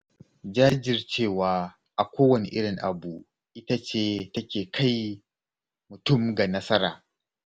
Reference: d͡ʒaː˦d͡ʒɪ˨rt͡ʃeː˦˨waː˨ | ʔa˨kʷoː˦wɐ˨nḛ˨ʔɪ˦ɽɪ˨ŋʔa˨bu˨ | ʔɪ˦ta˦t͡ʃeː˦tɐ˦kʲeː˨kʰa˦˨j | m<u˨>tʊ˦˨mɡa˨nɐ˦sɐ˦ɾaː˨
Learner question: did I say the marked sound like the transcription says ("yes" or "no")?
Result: no